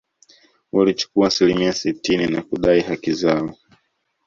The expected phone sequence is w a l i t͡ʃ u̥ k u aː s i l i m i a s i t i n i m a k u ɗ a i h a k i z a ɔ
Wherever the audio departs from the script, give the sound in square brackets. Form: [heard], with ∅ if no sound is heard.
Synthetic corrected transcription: w a l i t͡ʃ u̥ k u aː s i l i m i a s i t i n i [n] a k u ɗ a i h a k i z a ɔ